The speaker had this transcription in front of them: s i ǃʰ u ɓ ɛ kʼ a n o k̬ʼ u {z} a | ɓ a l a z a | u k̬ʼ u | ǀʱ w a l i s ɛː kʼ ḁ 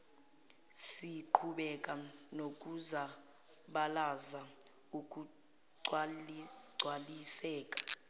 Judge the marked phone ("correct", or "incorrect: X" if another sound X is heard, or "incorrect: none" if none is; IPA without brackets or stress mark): correct